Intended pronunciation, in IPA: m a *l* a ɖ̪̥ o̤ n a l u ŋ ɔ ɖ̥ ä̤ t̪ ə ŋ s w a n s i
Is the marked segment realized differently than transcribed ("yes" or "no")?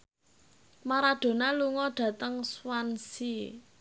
yes